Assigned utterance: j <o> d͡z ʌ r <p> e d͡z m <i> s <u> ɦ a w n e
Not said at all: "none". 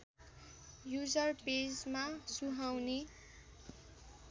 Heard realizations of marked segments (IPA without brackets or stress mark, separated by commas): u, p, a, u